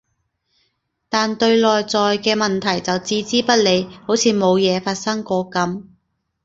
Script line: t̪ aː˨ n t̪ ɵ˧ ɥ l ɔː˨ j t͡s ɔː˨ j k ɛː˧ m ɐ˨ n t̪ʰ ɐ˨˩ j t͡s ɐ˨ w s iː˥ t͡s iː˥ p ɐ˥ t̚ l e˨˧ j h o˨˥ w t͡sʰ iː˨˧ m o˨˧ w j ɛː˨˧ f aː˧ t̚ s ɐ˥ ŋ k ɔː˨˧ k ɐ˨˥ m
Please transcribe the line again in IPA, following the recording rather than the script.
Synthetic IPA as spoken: t̪ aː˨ n t̪ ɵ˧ ɥ l ɔː˨ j t͡s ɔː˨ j k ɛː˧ m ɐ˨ n t̪ʰ ɐ˨˩ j t͡s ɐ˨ w t͡s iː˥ t͡s iː˥ p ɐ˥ t̚ l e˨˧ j h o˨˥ w t͡sʰ iː˨˧ m o˨˧ w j ɛː˨˧ f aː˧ t̚ s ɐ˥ ŋ k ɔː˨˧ k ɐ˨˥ m